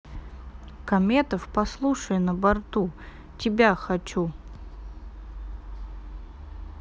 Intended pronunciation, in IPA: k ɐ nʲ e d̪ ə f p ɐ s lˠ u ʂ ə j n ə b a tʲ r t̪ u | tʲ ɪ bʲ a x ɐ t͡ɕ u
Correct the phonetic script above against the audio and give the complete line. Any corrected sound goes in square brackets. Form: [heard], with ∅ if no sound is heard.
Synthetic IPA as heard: k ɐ [mʲ] e [t̪] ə f p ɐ s lˠ u ʂ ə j n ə b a [∅] r t̪ u | tʲ ɪ bʲ a x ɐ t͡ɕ u